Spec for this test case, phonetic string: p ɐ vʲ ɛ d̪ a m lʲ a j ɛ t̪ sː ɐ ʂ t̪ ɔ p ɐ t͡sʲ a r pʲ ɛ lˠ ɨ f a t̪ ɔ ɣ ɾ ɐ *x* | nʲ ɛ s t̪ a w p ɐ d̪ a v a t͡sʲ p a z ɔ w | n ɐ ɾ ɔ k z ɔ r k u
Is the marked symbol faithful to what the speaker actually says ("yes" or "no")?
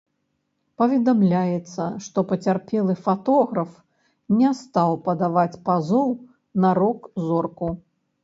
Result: no